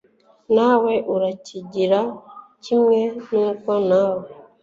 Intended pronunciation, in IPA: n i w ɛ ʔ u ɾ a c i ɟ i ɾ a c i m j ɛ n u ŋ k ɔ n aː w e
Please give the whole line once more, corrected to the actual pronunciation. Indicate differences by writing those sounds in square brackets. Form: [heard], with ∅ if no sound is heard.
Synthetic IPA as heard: n [a] w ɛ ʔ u ɾ a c i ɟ i ɾ a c i m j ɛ n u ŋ k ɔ n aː w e